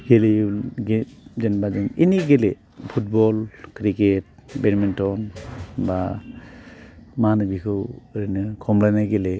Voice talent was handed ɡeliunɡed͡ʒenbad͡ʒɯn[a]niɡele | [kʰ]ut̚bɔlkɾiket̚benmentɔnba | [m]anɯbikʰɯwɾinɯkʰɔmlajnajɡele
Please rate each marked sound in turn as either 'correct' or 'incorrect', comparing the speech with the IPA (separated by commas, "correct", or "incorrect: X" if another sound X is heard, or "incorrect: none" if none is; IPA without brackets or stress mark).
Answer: incorrect: i, incorrect: pʰ, correct